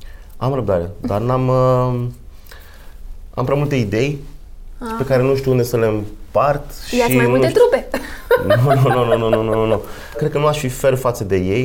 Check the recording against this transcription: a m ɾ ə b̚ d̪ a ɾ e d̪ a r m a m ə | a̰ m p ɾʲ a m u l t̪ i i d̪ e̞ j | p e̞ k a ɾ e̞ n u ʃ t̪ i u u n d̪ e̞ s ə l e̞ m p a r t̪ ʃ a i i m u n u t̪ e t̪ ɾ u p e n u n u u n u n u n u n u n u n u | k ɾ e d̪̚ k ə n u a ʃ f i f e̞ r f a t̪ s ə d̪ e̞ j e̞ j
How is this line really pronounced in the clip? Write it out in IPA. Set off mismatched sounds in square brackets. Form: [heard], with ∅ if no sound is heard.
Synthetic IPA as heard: a m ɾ ə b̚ d̪ a ɾ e d̪ a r [n] a m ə | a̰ m p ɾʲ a m u l t̪ [e] i d̪ e̞ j | p e̞ k a ɾ e̞ n u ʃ t̪ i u u n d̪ e̞ s ə l e̞ m p a r t̪ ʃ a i i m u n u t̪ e t̪ ɾ u p e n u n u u n u n u n u n u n u n u | k ɾ e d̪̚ k ə n u a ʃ f i f e̞ r f a t̪ s ə d̪ e̞ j e̞ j